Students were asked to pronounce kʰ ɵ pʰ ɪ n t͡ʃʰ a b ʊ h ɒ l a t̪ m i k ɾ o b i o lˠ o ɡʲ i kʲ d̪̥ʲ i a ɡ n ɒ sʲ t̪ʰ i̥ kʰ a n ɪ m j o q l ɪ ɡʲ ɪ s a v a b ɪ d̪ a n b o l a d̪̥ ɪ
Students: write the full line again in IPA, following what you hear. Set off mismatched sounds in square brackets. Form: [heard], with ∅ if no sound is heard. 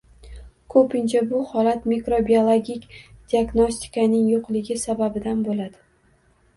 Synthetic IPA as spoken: kʰ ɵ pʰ ɪ n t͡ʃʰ a b ʊ h ɒ l a t̪ m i k ɾ o b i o lˠ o ɡʲ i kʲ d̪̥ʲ i a ɡ n [o] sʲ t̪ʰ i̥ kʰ a n ɪ [ŋ] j o q l ɪ ɡʲ ɪ s a [b] a b ɪ d̪ a n b o l a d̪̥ ɪ